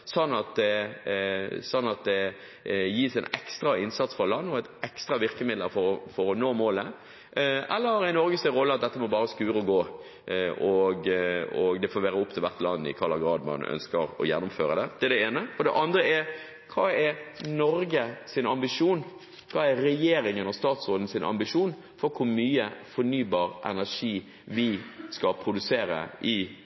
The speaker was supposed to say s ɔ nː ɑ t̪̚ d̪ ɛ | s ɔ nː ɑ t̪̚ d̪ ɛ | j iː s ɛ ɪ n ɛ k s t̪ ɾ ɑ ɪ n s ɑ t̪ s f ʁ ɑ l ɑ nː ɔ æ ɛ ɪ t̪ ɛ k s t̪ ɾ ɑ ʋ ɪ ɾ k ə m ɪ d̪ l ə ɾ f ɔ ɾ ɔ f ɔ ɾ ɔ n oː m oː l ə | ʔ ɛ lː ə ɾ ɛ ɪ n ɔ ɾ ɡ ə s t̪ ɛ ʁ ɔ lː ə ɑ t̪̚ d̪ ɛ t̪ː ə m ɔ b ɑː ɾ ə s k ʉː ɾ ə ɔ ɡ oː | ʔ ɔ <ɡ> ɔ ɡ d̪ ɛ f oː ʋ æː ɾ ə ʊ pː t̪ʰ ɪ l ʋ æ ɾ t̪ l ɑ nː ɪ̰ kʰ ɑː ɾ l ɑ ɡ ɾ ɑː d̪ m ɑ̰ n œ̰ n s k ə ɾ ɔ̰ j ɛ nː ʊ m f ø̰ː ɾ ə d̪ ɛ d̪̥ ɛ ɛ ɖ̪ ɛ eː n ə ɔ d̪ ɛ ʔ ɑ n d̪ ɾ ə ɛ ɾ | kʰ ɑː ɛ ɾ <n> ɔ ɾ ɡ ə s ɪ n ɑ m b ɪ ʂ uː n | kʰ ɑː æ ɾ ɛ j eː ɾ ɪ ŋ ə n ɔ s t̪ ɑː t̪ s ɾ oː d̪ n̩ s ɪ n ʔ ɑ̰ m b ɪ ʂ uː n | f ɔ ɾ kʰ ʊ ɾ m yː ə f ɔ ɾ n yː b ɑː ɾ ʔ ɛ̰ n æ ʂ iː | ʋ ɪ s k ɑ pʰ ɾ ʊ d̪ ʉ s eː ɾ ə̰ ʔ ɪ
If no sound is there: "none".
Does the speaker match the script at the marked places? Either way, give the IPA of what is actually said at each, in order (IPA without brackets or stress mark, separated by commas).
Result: ɡ, n